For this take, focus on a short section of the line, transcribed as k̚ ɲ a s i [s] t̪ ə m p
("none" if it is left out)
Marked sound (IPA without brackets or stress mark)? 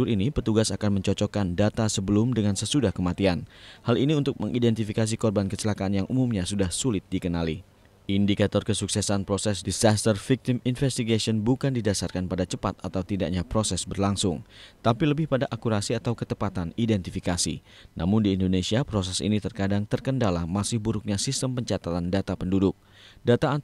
s